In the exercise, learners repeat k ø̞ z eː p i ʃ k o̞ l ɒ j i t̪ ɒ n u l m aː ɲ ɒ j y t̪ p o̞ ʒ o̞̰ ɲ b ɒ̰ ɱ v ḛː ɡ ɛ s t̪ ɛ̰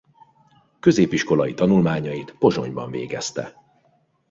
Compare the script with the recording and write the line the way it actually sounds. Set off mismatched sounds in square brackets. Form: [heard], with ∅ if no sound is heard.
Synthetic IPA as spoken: k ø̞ z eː p i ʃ k o̞ l ɒ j i t̪ ɒ n u l m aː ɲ ɒ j [i] t̪ p o̞ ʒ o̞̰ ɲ b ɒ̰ ɱ v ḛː ɡ ɛ s t̪ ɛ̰